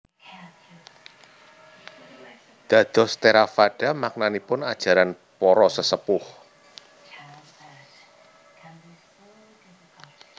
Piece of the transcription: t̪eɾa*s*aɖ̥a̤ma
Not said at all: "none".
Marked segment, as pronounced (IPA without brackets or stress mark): f